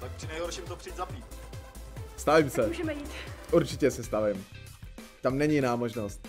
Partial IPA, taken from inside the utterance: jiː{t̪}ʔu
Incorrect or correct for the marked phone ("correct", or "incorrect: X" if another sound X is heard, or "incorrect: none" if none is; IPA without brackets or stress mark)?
correct